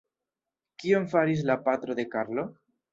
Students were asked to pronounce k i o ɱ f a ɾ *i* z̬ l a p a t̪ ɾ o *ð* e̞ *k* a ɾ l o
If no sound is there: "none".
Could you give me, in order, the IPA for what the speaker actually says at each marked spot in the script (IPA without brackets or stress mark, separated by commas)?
i, ð, k